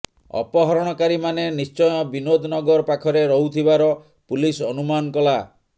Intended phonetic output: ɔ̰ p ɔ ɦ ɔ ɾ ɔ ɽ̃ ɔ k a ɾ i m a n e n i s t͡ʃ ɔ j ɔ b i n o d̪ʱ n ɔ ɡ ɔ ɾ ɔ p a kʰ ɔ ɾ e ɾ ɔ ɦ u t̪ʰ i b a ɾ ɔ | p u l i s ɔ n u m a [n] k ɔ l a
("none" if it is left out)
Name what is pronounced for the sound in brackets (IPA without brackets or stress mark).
n